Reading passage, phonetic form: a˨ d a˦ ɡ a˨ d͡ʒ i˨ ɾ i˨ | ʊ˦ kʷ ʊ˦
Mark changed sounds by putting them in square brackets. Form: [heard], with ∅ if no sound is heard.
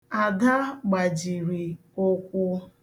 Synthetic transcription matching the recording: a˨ d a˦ [ɡ͡b] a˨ d͡ʒ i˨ ɾ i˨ | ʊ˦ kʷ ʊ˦

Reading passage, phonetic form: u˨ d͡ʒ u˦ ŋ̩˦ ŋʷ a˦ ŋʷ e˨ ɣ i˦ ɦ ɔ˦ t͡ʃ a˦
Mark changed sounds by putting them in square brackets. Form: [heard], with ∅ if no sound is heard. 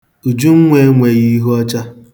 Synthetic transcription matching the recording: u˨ d͡ʒ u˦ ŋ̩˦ ŋʷ [e˦] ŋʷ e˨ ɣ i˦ ɦ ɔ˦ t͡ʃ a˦

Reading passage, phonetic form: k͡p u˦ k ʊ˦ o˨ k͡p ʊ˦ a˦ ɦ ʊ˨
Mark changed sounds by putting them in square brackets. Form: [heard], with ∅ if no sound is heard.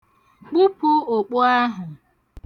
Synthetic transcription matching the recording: k͡p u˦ [p] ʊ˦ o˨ k͡p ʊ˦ a˦ ɦ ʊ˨

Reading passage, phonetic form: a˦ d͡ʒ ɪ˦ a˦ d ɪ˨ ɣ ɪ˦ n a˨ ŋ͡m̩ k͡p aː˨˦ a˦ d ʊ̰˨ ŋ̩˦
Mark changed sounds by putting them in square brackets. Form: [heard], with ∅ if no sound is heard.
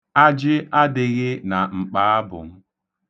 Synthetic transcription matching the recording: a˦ d͡ʒ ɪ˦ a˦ d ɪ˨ ɣ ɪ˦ n a˨ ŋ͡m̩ k͡p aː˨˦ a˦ [b] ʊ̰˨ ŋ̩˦

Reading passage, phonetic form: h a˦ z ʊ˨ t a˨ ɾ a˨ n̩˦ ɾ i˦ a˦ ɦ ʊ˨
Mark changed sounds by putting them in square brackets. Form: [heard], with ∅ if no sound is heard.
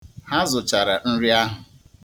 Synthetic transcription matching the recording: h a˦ z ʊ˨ [t͡ʃ] a˨ ɾ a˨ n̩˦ ɾ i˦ a˦ ɦ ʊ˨

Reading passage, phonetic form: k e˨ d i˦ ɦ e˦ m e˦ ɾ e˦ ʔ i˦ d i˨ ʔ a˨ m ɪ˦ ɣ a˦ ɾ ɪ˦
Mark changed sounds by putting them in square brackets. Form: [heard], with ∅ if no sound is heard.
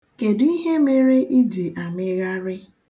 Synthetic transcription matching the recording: k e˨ d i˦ ɦ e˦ m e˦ ɾ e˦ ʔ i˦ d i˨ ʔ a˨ m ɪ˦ ɣ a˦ ɾ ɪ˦

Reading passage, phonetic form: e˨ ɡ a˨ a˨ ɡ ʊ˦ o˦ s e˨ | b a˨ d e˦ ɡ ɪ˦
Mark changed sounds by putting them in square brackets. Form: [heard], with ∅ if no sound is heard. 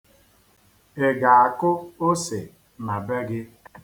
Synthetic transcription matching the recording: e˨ ɡ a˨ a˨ [k] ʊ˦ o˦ s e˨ | [m] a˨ [b] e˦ ɡ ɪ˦

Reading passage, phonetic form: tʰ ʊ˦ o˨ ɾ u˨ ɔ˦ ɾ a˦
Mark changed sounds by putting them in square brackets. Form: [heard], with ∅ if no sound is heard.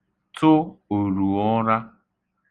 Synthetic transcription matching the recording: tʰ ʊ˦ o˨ ɾ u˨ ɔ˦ ɾ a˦

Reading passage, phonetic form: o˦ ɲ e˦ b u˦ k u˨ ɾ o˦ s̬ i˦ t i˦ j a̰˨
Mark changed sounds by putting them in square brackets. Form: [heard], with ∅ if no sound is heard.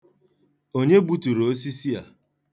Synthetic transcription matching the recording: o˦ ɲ e˦ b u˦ [t] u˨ ɾ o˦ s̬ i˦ [s] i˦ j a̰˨

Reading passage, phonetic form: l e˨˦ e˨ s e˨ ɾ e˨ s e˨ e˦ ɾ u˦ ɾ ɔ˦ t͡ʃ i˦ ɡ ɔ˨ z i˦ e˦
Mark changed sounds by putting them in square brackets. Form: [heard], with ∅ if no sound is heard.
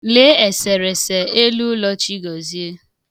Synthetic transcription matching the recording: l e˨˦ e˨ s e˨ ɾ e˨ s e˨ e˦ [l] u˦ [l] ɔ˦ t͡ʃ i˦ ɡ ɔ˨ z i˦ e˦

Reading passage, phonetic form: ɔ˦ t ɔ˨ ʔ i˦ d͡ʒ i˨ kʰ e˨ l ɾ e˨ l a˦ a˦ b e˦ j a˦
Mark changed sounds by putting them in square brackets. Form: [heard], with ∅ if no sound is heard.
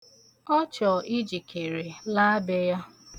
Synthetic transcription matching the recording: ɔ˦ [t͡ʃ] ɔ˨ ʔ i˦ d͡ʒ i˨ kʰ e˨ [∅] ɾ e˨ l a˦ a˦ b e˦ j a˦

